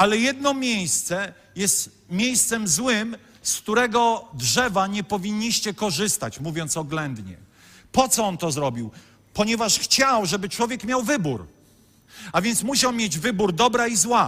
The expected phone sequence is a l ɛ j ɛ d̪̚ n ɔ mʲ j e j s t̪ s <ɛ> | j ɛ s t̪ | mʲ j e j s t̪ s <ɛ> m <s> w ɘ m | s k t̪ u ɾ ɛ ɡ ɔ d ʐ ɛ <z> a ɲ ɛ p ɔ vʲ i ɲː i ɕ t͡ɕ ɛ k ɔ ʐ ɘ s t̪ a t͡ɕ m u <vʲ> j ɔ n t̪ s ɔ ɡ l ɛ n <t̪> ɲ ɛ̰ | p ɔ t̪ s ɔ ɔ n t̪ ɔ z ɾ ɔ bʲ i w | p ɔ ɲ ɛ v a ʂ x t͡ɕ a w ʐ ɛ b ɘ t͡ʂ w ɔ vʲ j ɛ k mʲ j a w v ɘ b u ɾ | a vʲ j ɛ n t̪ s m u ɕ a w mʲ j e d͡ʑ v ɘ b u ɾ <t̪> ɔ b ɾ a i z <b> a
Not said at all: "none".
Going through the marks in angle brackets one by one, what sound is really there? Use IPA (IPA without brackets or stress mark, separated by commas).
ɛ, ɛ, z, v, vʲ, d̪, d̪, w